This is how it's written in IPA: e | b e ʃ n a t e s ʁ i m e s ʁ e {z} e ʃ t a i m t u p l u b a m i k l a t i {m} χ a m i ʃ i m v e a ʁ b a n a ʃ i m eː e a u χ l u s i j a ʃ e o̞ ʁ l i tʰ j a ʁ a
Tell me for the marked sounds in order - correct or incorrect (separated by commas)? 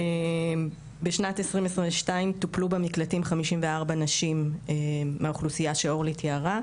incorrect, correct